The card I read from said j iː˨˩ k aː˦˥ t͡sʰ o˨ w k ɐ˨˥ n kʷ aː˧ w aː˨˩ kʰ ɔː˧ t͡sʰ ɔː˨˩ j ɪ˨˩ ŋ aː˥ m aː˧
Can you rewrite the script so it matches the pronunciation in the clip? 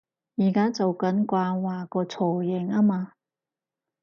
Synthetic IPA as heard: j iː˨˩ k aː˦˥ t͡s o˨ w k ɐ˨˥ n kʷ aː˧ w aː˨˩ k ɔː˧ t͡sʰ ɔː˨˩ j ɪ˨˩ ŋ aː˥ m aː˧